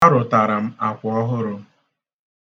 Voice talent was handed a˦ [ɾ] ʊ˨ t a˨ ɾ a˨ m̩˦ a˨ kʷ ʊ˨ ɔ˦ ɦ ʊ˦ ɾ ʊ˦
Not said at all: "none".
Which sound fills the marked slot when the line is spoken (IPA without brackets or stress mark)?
ɾ